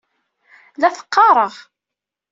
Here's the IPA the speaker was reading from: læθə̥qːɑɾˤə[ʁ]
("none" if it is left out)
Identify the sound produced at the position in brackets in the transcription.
ʁ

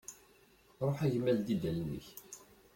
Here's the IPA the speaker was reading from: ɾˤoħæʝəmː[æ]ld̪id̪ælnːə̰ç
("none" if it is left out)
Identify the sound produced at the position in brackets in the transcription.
æ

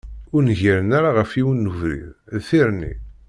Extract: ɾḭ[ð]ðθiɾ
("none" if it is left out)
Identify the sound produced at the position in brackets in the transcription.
ð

